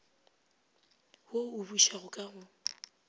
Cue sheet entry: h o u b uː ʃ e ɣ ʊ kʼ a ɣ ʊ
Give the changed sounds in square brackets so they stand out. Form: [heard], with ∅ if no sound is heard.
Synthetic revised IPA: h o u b [u] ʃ [a] ɣ ʊ kʼ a ɣ ʊ